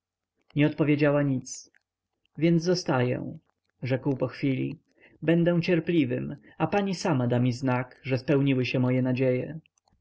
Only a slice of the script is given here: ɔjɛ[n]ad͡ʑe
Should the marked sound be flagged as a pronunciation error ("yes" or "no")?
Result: no